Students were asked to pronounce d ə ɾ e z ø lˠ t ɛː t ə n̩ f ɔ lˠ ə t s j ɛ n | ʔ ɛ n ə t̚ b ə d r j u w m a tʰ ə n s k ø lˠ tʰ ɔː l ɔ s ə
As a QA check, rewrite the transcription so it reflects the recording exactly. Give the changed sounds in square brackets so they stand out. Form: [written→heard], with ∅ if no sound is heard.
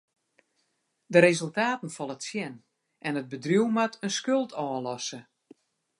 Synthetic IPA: d ə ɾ e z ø lˠ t [ɛː→aː] t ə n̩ f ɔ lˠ ə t s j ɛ n | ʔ ɛ n ə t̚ b ə d r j u w m a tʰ ə n s k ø lˠ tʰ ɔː l ɔ s ə